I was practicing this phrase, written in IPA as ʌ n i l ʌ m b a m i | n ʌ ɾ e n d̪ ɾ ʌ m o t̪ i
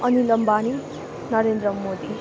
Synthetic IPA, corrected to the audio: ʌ n i l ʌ m b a n i | n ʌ ɾ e n d̪ ɾ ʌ m o d̪ i